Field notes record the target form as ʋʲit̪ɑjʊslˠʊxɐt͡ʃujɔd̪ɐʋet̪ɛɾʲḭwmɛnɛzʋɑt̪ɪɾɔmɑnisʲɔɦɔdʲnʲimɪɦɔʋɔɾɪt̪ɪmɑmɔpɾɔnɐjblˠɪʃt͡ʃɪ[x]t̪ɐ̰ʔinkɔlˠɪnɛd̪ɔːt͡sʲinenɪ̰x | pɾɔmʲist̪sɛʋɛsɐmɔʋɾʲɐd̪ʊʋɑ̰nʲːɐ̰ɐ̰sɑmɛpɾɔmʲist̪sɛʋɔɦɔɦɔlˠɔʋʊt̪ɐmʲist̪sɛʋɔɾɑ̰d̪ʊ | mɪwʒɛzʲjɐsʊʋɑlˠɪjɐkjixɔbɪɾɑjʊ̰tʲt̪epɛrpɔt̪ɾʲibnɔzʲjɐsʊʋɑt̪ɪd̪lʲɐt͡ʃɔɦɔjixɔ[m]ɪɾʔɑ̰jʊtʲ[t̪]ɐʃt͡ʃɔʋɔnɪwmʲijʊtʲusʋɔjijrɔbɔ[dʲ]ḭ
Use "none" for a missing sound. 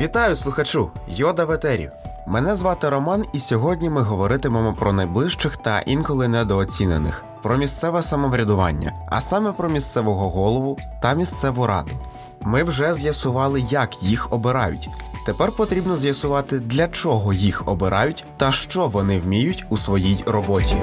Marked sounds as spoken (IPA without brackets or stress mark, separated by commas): x, b, t̪, tʲ